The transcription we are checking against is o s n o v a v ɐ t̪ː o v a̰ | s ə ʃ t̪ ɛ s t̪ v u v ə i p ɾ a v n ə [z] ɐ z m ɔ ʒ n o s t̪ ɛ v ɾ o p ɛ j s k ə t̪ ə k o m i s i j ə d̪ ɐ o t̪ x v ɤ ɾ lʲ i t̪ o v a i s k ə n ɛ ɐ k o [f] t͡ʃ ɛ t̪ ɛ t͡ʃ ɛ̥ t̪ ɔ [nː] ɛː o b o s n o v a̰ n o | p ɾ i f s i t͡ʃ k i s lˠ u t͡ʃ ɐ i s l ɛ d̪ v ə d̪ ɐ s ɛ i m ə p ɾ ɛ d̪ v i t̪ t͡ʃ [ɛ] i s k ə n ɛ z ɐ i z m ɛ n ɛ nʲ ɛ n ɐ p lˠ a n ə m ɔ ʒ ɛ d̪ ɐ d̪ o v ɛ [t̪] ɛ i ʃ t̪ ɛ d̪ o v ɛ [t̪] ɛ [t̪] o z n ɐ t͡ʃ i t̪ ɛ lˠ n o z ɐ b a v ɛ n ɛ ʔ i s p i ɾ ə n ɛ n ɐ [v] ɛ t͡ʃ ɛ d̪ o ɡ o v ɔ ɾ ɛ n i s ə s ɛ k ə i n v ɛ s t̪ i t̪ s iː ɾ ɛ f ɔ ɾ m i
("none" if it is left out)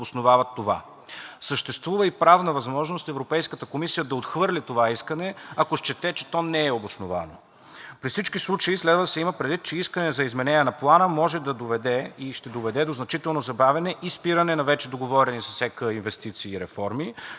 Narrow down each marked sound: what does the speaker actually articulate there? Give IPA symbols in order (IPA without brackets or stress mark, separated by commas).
v, ʃ, n, ɛ, d̪, d̪, d̪, v